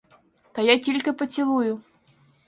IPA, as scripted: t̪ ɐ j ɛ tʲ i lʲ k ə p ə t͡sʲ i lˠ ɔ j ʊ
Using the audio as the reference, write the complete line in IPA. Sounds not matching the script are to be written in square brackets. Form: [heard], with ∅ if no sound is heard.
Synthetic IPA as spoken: t̪ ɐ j [a] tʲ i lʲ k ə p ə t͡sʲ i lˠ [u] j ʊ

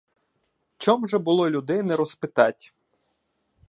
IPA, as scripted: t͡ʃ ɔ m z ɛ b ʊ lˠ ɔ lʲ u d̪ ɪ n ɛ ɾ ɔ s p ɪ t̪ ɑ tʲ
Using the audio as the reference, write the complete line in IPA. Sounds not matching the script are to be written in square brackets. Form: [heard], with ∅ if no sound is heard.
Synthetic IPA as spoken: t͡ʃ ɔ m [ʒ] ɛ b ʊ lˠ ɔ lʲ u d̪ ɪ n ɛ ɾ ɔ s p ɪ t̪ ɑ tʲ

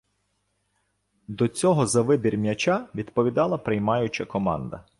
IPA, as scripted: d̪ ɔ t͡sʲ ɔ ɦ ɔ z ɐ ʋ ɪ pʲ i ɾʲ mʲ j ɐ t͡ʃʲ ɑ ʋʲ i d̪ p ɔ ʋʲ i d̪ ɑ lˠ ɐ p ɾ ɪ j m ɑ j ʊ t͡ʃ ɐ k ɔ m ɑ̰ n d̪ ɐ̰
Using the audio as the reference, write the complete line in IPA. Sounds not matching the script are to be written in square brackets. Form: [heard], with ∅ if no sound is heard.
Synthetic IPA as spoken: d̪ ɔ t͡sʲ ɔ ɦ ɔ z ɐ ʋ ɪ [bʲ] i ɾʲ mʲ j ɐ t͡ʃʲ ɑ ʋʲ i d̪ p ɔ ʋʲ i d̪ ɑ lˠ ɐ p ɾ ɪ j m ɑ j ʊ t͡ʃ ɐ k ɔ m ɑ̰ n d̪ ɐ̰

